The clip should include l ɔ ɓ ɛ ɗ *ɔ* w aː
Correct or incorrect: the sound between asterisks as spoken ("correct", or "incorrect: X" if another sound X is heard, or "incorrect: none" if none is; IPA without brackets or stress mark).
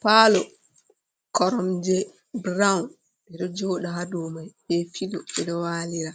correct